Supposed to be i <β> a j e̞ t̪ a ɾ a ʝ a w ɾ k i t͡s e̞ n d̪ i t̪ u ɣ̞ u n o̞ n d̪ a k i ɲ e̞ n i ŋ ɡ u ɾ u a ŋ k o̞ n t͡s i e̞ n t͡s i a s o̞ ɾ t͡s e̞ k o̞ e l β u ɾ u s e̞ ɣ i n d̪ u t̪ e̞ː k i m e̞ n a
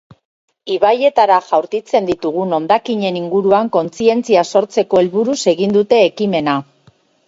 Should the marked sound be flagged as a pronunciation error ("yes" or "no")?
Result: no